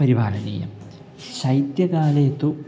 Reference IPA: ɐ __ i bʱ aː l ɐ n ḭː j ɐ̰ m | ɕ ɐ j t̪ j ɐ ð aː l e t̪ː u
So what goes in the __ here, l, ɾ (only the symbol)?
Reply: ɾ